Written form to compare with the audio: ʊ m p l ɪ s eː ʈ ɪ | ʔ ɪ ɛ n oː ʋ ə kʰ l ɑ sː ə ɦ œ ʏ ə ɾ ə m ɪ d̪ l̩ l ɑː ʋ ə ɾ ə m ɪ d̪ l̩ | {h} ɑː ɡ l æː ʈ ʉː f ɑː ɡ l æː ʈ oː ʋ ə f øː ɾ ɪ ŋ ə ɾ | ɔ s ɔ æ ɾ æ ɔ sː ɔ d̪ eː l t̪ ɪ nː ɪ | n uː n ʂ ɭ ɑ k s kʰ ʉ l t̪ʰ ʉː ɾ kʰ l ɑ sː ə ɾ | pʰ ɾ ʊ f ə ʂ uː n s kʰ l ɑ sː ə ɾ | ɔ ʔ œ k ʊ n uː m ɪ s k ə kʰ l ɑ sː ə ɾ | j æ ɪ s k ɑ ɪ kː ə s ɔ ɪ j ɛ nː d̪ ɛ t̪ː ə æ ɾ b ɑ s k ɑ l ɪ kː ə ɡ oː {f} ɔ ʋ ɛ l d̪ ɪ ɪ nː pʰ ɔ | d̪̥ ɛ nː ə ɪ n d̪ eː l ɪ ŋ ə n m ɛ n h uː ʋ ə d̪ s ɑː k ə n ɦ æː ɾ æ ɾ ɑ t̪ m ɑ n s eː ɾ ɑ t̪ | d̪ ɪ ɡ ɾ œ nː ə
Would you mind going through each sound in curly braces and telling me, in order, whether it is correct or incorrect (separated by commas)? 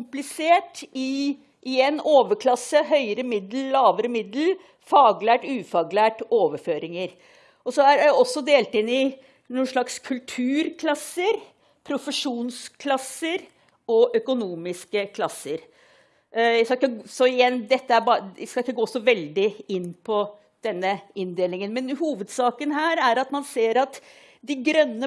incorrect, incorrect